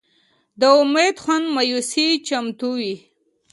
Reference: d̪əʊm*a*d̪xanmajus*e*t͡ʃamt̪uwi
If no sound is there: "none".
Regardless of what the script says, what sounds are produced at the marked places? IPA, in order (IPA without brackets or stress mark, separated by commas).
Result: e, i